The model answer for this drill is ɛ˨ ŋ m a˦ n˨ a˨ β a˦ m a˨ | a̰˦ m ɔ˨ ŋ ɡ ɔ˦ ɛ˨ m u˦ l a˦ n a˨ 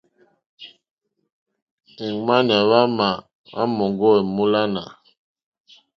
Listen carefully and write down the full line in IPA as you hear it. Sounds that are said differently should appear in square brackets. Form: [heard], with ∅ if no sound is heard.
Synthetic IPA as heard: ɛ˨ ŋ m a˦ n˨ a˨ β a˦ m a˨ | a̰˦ m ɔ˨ ŋ ɡ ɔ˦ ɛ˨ m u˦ l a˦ n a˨